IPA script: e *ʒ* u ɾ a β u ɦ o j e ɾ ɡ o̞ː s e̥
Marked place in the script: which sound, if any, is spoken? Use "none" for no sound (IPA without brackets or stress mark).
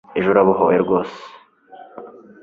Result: ʒ